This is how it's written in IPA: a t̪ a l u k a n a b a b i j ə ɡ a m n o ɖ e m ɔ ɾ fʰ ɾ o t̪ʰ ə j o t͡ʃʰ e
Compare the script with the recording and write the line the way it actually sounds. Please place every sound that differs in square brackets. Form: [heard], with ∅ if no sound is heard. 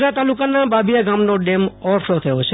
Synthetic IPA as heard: a t̪ a l u k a n a b a b i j [a] ɡ a m n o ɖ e m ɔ ɾ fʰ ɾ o t̪ʰ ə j o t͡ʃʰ e

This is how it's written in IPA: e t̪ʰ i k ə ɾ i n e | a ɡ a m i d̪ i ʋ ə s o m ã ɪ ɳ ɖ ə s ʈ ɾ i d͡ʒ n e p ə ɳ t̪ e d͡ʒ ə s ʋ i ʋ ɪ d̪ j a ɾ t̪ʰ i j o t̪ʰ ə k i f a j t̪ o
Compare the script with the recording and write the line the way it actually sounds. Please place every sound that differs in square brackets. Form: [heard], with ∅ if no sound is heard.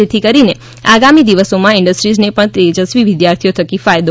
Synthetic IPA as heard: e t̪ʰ i k ə ɾ i n e | a ɡ a m i d̪ i ʋ ə s o m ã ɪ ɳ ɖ ə s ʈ ɾ i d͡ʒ n e p ə ɳ t̪ e d͡ʒ ə s ʋ i ʋ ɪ d̪ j a ɾ t̪ʰ i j o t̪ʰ ə k i f a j [d̪] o

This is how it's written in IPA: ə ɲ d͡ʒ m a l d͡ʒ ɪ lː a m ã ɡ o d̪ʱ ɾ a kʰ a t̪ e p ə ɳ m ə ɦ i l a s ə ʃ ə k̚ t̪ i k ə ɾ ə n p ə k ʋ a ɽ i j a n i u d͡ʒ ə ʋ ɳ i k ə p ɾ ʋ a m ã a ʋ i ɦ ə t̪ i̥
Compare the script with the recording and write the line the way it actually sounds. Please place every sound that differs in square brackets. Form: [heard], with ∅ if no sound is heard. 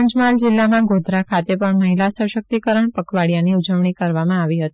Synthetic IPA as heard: ə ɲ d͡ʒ m a l d͡ʒ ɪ lː a m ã ɡ o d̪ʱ ɾ a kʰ a t̪ e p ə ɳ m ə ɦ i l a s ə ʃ ə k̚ t̪ i k ə ɾ ə [ɳ] p ə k ʋ a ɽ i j a n i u d͡ʒ ə ʋ ɳ i k ə [∅] ɾ ʋ a m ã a ʋ i ɦ ə t̪ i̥

